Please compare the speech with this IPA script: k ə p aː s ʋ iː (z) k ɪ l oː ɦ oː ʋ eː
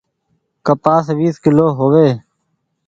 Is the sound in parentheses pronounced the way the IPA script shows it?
no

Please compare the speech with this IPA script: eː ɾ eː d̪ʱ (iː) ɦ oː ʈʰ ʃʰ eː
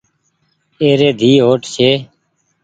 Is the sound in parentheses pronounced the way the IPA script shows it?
yes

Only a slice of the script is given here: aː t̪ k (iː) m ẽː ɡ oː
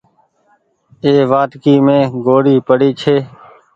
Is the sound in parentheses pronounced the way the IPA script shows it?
yes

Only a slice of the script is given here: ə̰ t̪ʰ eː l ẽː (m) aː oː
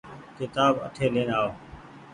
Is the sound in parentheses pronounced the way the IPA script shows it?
no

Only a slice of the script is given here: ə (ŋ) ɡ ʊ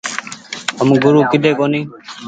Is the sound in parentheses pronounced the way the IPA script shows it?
no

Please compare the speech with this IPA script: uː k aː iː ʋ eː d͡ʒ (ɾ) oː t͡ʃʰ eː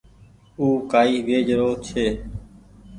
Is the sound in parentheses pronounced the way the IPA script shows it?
yes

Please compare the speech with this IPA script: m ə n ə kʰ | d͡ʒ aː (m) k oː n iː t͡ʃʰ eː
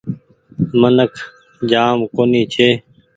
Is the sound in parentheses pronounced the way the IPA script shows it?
yes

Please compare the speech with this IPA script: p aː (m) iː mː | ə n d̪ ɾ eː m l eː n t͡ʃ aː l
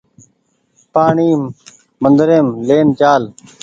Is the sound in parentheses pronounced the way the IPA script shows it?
no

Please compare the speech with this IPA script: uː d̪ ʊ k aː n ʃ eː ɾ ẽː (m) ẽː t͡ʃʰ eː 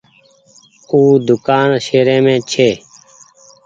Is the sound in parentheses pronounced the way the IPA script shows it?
yes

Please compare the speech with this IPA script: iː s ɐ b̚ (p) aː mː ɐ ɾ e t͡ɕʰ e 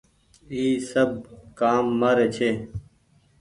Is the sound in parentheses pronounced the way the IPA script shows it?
no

